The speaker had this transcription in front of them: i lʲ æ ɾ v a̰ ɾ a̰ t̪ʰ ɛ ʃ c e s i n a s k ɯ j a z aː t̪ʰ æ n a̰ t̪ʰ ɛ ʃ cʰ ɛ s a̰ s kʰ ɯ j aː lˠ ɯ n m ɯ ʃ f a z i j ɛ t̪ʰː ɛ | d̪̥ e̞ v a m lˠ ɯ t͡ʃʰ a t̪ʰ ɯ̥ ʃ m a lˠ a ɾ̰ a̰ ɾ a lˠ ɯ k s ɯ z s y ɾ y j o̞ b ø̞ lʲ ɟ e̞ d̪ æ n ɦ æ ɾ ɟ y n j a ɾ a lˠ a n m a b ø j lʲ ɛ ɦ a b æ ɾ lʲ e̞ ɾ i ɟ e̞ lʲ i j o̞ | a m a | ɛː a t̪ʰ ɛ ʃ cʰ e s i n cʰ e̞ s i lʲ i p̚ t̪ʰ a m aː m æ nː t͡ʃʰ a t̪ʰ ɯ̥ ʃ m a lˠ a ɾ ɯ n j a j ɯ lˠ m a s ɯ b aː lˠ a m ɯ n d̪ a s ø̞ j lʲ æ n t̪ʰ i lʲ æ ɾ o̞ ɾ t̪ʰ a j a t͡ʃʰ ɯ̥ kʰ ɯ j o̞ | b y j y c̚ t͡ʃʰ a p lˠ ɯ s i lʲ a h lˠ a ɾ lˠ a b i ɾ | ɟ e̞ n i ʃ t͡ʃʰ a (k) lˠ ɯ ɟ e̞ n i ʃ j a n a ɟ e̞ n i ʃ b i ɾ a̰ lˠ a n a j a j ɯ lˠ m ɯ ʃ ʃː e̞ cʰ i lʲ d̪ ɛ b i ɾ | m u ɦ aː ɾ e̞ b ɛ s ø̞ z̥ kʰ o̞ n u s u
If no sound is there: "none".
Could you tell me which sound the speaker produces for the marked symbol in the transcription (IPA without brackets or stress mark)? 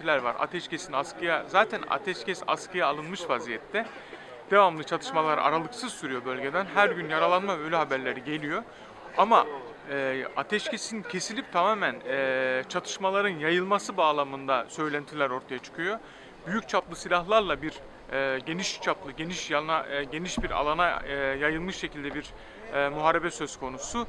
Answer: p